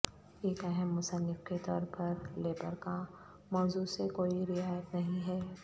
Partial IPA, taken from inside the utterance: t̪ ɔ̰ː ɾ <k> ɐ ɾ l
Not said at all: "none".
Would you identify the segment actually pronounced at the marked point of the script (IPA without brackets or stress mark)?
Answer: p